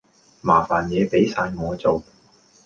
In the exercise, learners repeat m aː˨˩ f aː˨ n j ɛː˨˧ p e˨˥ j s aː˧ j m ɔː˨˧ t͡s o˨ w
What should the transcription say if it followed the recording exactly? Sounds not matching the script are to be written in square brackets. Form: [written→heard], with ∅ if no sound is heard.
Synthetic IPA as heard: m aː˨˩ f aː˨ n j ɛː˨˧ p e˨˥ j s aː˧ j [m→ŋ] ɔː˨˧ t͡s o˨ w